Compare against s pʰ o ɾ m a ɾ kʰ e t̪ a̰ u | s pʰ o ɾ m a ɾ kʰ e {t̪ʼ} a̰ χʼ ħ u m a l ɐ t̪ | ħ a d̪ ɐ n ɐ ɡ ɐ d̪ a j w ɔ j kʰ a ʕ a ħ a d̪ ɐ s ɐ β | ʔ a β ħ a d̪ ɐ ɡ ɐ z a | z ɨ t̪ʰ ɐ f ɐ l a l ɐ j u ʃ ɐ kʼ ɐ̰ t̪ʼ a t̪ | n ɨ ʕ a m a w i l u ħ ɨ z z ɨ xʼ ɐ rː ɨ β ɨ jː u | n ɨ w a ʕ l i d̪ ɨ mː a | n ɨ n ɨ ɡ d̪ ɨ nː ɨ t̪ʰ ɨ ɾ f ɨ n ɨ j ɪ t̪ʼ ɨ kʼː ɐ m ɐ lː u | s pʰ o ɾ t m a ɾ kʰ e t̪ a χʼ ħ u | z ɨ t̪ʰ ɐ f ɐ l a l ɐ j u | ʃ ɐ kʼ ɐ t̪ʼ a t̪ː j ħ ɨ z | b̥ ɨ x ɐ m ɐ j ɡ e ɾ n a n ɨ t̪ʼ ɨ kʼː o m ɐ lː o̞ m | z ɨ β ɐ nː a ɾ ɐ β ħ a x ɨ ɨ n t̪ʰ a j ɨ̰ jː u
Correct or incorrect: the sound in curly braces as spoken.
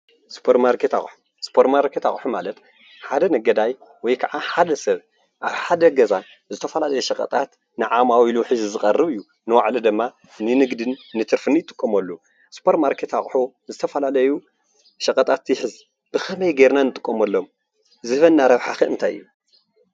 incorrect: t̪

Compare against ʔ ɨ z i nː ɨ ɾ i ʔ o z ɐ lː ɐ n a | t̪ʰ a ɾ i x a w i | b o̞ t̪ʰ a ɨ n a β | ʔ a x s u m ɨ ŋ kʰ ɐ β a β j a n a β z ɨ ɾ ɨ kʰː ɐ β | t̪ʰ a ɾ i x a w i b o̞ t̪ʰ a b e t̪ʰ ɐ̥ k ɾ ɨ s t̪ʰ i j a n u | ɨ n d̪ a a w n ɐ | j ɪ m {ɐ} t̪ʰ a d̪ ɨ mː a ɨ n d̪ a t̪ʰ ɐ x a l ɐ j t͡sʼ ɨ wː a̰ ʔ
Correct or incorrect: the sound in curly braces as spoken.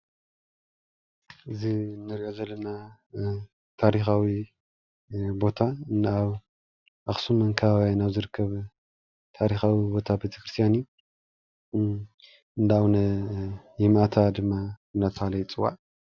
incorrect: a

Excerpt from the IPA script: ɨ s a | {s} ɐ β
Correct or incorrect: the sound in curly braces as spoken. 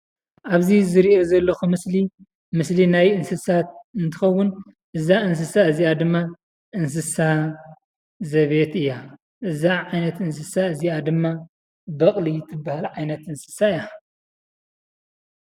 incorrect: z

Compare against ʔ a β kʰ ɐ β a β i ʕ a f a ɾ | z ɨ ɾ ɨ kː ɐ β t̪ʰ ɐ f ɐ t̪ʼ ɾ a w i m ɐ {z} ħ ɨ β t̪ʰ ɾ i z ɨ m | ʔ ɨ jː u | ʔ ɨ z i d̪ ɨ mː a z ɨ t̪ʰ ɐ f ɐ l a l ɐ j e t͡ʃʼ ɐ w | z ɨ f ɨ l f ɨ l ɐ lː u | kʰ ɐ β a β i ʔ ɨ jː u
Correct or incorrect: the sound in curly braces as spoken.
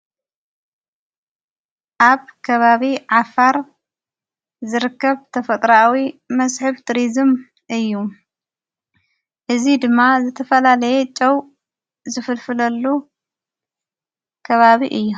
incorrect: s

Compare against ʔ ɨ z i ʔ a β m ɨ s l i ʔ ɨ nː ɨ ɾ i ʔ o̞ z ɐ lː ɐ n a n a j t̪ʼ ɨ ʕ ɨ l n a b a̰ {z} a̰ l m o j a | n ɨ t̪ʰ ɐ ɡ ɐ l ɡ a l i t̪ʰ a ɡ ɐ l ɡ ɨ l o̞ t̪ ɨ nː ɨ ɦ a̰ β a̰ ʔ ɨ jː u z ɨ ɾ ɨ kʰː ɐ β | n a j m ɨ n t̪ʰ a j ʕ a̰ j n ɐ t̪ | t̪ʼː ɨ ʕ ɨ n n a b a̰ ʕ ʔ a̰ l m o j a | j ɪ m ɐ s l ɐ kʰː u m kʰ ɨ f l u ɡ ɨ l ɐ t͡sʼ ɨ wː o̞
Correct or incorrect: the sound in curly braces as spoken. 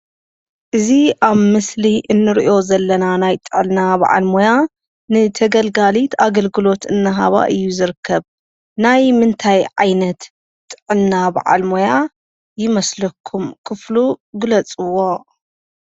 incorrect: ʕ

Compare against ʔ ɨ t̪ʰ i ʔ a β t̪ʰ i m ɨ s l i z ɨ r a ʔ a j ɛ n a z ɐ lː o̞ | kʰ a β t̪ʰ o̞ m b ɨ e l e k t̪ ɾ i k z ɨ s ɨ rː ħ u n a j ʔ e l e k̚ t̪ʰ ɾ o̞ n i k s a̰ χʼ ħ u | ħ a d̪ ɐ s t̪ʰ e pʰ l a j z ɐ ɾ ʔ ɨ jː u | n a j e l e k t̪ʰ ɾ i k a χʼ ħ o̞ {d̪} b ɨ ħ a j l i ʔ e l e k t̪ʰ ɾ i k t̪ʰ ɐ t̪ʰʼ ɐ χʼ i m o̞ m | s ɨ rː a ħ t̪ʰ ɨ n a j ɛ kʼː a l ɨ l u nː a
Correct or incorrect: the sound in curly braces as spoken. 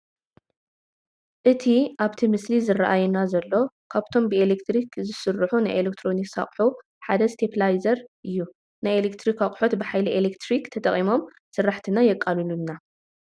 incorrect: t̪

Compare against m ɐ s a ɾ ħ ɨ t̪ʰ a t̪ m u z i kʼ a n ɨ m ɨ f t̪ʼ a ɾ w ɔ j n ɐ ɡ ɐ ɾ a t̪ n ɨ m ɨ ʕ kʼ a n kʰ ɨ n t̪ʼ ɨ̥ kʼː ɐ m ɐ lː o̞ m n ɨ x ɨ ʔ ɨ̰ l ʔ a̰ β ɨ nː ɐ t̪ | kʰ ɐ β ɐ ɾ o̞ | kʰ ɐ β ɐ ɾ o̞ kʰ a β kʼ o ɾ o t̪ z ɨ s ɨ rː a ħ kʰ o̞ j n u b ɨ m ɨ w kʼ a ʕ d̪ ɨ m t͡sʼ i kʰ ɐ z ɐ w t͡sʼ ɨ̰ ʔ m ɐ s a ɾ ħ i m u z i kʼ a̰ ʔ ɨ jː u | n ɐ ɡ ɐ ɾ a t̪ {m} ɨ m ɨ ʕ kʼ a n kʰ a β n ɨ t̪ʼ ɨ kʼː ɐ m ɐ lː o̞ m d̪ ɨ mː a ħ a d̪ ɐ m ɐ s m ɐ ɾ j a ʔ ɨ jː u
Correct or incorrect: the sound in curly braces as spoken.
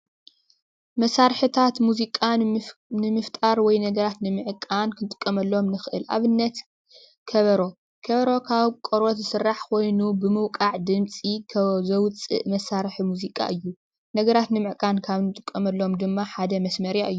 incorrect: n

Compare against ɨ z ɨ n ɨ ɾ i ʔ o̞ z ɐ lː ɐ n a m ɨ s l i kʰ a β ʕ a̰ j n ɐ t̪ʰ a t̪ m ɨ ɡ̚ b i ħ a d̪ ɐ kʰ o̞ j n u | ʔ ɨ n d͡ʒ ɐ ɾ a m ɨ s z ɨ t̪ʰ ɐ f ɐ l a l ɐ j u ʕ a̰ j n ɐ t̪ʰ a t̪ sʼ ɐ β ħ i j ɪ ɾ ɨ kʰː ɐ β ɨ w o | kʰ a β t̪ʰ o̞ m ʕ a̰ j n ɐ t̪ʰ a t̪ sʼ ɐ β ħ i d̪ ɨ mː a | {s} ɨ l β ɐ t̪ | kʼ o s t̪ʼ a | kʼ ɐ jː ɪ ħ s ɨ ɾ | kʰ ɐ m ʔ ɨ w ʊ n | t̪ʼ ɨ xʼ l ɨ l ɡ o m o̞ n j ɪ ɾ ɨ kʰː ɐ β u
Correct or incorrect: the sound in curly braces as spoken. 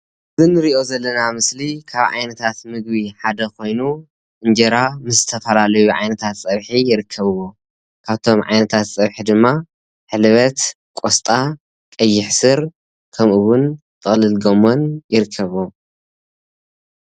incorrect: ħ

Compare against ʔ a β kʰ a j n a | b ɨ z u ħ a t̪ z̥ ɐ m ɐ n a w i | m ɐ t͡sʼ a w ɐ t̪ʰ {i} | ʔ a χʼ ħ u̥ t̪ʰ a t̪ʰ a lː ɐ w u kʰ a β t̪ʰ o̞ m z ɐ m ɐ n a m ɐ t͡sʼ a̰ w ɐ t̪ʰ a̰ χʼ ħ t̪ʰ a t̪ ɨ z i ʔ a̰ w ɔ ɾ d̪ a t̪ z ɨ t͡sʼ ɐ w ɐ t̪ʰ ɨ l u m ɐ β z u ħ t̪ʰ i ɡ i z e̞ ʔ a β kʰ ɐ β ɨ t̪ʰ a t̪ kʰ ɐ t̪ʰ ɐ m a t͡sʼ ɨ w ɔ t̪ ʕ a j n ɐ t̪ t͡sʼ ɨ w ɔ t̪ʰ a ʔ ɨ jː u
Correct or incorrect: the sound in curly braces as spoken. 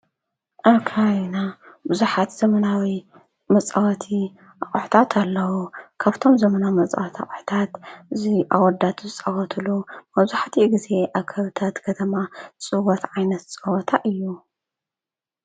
correct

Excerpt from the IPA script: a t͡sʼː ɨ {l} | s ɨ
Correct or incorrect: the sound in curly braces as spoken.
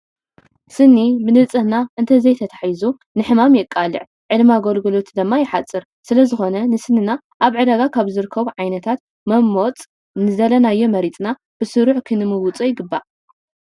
incorrect: ɾ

